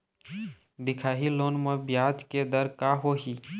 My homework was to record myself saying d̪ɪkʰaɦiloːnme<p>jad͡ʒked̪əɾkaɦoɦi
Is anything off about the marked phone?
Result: yes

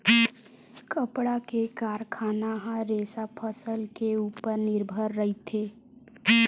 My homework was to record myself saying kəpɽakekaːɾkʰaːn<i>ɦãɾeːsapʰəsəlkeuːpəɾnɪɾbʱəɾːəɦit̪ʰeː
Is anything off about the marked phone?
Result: yes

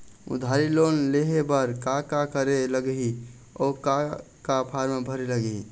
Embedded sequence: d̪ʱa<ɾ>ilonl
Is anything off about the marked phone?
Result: no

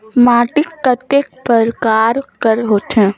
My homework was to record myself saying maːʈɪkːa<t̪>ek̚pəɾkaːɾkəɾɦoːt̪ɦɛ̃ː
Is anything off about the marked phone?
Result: no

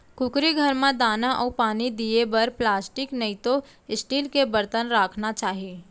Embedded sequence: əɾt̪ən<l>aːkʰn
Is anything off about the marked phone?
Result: yes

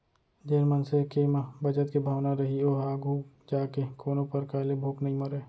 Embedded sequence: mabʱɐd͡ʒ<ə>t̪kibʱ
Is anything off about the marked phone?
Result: no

